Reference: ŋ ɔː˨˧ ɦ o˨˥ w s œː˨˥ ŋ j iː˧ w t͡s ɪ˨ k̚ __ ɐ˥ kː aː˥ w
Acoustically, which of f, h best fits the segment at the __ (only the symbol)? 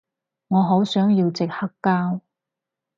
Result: h